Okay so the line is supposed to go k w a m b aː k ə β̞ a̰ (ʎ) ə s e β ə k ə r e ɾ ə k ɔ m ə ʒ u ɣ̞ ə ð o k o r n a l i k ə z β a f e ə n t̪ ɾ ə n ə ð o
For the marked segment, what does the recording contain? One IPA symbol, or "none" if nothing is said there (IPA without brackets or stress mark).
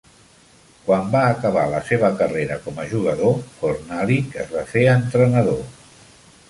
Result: l